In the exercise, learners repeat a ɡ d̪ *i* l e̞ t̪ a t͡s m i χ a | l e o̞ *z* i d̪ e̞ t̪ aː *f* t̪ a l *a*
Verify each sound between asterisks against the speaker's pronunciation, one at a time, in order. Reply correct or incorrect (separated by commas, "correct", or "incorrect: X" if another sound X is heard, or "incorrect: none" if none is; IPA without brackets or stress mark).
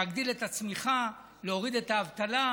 correct, incorrect: ʁ, incorrect: v, correct